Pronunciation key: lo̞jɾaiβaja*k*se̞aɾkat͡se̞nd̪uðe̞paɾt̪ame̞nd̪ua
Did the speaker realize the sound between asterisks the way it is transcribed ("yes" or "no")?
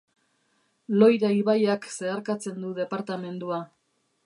yes